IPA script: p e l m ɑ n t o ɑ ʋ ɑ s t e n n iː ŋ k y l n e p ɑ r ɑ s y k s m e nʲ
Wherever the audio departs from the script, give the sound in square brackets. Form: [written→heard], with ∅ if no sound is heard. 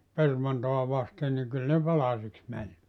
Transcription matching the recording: p e [l→r] m ɑ n t o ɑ ʋ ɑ s t e n n [iː→i] ŋ k y l n e p ɑ [r→l] ɑ s [y→i] k s m [e→æ] nʲ

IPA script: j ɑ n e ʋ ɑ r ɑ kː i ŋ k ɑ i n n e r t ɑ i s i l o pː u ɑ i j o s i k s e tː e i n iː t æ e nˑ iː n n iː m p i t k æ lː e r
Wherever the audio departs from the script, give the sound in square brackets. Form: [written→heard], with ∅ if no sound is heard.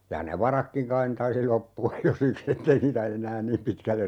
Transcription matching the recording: j ɑ n e ʋ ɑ r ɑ kː i ŋ k ɑ i n n e [r→∅] t ɑ i s i l o pː u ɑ [i→j] j o s i k s e tː e i n iː t æ e nˑ [iː→æː] n n iː m p i t k æ lː e r

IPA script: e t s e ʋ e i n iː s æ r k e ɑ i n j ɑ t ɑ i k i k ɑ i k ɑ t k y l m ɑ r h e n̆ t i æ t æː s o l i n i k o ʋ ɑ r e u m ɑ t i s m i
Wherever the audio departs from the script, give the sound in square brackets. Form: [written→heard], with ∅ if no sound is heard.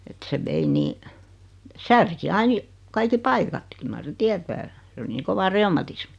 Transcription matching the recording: e t s e ʋ e i n iː s æ r k [e→i] ɑ i n j ɑ [t→k] ɑ i k i [k→p] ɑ i k ɑ t k y l m ɑ r [h→s] e n̆ t i æ t æː s o l i n [i→iː] k o ʋ ɑ r e u m ɑ t i s m i

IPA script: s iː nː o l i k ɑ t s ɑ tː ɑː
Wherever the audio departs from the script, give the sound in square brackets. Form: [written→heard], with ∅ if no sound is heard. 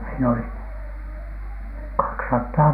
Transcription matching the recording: s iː [nː→n] o l i k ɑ [t→k] s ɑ tː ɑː

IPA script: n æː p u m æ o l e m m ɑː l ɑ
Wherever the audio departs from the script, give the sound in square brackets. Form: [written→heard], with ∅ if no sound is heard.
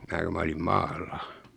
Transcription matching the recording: [n→m] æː [p→k] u m æ o l [e→i] m m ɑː [l→lː] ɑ

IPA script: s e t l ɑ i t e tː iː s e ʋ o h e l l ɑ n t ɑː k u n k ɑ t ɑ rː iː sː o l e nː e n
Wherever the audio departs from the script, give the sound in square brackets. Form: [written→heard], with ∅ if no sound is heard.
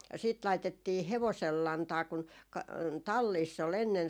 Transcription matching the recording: s [e→i] t l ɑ i t e tː iː [s→h] e ʋ o [h→s] e l l ɑ n t ɑː k u n k ɑ t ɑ [rː→lː] iː sː o l e nː e n

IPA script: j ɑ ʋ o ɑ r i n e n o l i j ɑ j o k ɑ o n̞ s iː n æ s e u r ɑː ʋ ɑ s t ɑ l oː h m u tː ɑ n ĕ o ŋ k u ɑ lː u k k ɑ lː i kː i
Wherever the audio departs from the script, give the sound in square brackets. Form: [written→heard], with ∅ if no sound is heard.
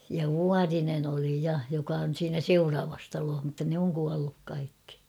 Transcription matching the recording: j ɑ ʋ [o→u] ɑ r i n e n o l i j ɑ j o k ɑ o n̞ s iː n æ s e u r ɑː ʋ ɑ s t ɑ l oː h m u tː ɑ n ĕ o ŋ k u ɑ lː u k k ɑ [lː→∅] i kː i

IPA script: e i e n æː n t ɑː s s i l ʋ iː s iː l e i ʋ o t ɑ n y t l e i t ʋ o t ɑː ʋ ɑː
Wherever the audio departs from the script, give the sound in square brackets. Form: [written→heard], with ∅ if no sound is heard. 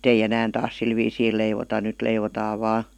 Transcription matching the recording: e i e n æː n t ɑː s s i l ʋ iː s iː l e i ʋ o t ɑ n y t l e i [t→∅] ʋ o t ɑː ʋ ɑː

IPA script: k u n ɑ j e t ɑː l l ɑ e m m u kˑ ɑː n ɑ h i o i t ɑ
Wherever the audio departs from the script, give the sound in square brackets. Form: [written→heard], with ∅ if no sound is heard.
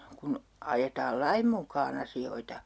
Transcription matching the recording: k u n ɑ j e t ɑː l l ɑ [e→i] m m u kˑ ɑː n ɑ [h→s] i o i t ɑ

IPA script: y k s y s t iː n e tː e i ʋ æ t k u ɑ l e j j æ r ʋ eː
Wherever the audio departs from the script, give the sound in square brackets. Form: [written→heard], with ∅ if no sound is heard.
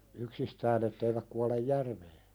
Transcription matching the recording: y k s [y→i] s t [iː→æː] n e tː e i ʋ æ [t→k] k u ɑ l e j j æ r ʋ eː

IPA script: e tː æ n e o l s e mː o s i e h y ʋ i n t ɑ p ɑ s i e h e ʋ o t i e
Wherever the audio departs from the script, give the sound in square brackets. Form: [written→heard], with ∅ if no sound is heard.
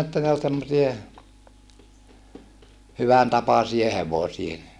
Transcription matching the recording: e tː æ n e o l s e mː o s i e h y ʋ [i→æ] n t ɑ p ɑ s i e h e ʋ o [t→s] i e

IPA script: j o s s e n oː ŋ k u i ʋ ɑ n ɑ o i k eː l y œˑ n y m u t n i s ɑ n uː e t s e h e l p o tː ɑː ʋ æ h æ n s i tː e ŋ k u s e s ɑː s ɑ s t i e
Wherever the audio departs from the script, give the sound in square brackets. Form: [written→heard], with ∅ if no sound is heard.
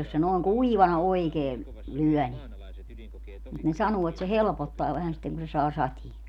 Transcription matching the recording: j o s s e n oː ŋ k u i ʋ ɑ n ɑ o i k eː l y œˑ n [y→i] m u t n [i→e] s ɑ n uː e t s e h e l p o tː ɑː ʋ æ h æ n s i tː e ŋ k u s e s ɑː s ɑ [s→∅] t i e

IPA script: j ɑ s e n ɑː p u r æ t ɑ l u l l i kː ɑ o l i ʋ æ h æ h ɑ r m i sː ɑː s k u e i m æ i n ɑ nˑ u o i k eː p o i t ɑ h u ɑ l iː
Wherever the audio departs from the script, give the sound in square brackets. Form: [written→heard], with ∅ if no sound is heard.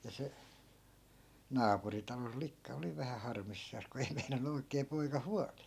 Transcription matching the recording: j ɑ s e n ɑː p u r [æ→i] t ɑ l [u→o] l l i kː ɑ o l i ʋ æ h æ h ɑ r m i sː ɑː s k u e i m [æ→e] i n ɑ nˑ u o i k eː p o i [t→k] ɑ h u ɑ l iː

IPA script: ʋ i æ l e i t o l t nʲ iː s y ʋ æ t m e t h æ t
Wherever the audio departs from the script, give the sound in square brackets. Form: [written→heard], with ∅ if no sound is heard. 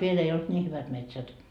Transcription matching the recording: ʋ i [æ→e] l e i [t→∅] o l t nʲ iː [s→h] y ʋ æ t m e t [h→s] æ t

